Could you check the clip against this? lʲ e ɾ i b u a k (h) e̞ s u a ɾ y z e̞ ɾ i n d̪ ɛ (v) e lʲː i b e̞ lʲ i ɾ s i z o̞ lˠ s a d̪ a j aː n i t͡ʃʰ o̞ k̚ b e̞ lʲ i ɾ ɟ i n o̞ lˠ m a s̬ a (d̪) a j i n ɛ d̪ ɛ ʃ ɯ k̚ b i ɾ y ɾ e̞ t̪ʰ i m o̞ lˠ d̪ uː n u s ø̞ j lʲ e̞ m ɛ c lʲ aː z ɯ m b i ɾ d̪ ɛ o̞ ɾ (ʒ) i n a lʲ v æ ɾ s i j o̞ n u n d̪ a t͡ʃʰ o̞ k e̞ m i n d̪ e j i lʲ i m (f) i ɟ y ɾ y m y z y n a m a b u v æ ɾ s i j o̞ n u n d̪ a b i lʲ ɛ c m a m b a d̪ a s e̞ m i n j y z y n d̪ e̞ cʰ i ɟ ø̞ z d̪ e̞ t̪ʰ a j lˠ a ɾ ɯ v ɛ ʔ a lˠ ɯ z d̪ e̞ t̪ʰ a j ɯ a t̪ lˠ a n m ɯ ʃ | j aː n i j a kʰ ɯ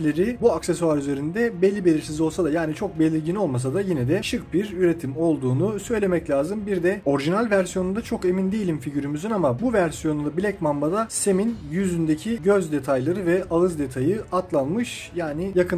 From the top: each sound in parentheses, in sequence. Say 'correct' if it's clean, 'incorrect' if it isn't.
incorrect, incorrect, correct, correct, correct

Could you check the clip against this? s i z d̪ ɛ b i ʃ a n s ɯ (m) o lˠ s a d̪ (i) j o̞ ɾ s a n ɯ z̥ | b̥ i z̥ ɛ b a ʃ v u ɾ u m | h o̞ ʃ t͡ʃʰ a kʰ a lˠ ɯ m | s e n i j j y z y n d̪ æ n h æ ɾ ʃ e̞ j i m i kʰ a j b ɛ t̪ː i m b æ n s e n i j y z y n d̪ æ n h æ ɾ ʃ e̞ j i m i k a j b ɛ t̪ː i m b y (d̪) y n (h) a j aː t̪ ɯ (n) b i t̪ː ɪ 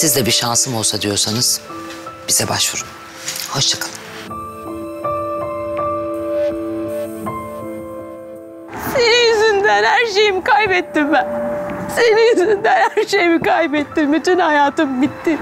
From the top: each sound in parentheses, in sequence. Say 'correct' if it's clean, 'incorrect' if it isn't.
correct, correct, incorrect, correct, incorrect

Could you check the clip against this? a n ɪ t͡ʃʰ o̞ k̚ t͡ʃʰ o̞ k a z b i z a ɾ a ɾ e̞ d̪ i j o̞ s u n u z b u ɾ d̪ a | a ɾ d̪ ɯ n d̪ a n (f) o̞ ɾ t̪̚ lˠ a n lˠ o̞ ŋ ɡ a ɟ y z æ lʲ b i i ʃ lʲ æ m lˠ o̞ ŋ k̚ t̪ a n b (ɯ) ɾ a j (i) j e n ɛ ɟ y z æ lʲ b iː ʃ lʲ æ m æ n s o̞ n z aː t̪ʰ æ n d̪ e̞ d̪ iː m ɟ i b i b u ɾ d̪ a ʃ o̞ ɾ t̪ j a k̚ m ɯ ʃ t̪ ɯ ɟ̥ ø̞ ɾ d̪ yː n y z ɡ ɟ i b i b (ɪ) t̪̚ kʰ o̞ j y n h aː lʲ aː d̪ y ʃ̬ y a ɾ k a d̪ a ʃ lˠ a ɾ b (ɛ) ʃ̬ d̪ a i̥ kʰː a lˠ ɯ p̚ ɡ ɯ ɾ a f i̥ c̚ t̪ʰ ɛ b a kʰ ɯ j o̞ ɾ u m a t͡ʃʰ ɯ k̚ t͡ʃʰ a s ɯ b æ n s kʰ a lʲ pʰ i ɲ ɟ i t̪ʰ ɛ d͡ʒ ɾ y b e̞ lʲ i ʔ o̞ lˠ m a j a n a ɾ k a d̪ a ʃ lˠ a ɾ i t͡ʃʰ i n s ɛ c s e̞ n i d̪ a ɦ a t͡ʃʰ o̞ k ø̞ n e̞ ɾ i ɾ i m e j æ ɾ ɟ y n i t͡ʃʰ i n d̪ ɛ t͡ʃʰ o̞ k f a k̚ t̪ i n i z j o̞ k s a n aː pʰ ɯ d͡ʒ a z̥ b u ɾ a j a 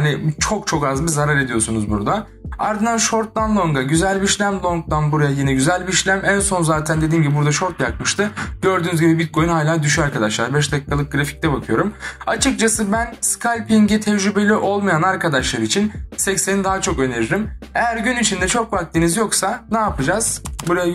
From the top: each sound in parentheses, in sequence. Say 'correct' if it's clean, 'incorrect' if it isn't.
incorrect, incorrect, incorrect, incorrect, correct

